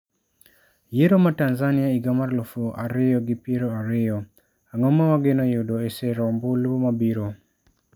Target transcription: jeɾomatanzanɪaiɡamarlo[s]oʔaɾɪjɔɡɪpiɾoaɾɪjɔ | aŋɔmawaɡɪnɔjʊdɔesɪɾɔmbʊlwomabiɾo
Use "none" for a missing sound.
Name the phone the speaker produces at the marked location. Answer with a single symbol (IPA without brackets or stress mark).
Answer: f